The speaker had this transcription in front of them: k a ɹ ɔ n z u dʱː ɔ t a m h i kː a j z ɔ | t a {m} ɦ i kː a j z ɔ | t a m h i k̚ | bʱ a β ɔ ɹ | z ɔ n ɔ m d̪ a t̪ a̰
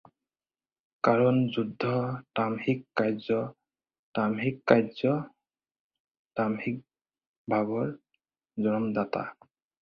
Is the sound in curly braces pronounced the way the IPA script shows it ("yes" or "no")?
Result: yes